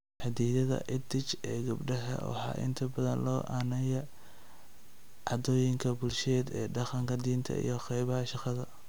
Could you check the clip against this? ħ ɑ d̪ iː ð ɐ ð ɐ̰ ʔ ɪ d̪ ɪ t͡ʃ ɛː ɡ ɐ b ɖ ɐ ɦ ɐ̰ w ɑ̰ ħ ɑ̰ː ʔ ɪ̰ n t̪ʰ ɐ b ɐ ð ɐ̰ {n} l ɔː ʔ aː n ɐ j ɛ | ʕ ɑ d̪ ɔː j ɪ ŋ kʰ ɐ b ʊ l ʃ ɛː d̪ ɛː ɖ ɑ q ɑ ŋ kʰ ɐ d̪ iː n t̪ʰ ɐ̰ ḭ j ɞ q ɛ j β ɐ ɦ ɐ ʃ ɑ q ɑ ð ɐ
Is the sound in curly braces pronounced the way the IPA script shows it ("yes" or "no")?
yes